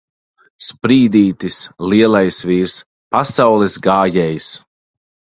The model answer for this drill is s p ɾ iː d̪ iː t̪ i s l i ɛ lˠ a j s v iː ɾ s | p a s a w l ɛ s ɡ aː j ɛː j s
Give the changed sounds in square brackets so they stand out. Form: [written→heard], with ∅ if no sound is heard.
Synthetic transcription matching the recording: s p ɾ iː d̪ iː t̪ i s l i ɛ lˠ a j s v iː ɾ s | p a s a w l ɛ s ɡ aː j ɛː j s